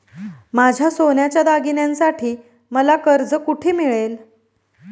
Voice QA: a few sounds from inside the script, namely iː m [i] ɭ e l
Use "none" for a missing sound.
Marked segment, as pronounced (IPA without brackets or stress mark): i